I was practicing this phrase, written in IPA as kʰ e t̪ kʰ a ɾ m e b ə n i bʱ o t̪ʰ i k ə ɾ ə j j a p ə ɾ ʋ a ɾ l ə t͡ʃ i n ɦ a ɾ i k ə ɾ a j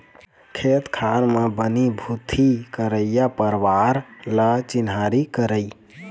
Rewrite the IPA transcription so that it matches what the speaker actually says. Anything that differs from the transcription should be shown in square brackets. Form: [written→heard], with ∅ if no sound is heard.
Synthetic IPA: kʰ e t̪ kʰ a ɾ m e b ə n i bʱ [o→u] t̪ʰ i k ə ɾ ə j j a p ə ɾ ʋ a ɾ l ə t͡ʃ i n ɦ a ɾ i k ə ɾ [a→ə] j

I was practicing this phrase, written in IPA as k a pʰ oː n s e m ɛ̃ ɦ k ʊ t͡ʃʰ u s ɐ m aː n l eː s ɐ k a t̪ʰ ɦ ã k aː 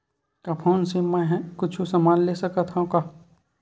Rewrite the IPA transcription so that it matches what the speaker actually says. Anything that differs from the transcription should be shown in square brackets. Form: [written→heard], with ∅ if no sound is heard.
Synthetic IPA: k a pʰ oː n s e m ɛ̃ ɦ k ʊ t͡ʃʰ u s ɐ m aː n l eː s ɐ k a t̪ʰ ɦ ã k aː

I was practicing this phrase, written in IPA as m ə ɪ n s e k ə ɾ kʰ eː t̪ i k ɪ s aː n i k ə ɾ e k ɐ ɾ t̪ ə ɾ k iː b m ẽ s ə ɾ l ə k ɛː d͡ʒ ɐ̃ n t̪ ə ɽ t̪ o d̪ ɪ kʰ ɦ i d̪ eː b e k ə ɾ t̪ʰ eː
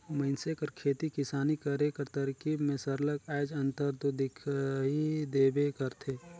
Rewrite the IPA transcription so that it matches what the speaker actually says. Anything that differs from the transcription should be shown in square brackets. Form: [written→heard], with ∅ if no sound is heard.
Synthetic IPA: m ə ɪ n s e k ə ɾ kʰ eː t̪ i k ɪ s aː n i k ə ɾ e k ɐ ɾ t̪ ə ɾ k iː b m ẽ s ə ɾ l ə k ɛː d͡ʒ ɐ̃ n t̪ ə [ɽ→ɾ] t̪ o d̪ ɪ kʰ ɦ i d̪ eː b e k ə ɾ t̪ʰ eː

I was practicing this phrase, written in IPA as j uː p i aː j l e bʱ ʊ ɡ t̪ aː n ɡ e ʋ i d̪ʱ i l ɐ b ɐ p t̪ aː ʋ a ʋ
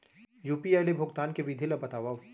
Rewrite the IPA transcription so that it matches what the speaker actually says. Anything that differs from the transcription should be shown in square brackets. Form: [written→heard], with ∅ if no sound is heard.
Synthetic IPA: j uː p i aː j l e bʱ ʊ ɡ t̪ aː n [ɡ→k] e ʋ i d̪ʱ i l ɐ b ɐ [p→∅] t̪ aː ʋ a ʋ

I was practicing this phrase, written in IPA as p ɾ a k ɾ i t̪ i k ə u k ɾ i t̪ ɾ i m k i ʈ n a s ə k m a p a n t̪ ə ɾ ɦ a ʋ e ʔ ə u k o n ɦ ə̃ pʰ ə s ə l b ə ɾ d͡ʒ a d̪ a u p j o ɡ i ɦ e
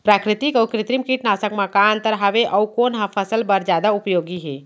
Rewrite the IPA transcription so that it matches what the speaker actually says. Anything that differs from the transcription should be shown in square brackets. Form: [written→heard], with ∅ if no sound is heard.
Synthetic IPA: p ɾ a k ɾ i t̪ i k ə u k ɾ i t̪ ɾ i m k i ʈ n a s ə k m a [p→k] a n t̪ ə ɾ ɦ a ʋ e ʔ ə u k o n ɦ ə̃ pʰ ə s ə l b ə ɾ d͡ʒ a d̪ a u p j o ɡ i ɦ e

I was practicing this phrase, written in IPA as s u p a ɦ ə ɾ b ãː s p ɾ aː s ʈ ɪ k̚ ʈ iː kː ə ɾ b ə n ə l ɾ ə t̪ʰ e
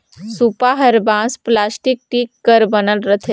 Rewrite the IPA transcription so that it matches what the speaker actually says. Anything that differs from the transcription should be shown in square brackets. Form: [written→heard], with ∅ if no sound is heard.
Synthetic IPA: s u p a ɦ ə ɾ b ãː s p [ɾ→l] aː s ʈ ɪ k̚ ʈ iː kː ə ɾ b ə n ə l ɾ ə t̪ʰ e

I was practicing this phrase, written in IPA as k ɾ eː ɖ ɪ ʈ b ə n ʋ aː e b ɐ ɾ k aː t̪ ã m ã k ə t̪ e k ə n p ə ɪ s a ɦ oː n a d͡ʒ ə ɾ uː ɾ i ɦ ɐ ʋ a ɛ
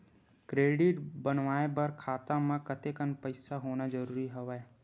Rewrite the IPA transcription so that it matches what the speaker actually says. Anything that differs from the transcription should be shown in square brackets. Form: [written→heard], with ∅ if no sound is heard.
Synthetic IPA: k ɾ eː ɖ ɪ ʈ b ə n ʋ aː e b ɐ ɾ [k→kʰ] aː t̪ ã m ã k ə t̪ e k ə n p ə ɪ s a ɦ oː n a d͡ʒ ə ɾ uː ɾ i ɦ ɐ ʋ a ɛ

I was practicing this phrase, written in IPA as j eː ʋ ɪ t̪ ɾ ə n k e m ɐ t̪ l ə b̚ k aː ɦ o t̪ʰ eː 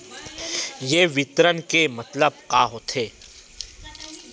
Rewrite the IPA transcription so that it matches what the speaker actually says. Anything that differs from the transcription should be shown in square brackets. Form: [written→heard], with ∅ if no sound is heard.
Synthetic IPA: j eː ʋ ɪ t̪ ɾ ə n k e m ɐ t̪ l ə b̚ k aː ɦ o t̪ʰ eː

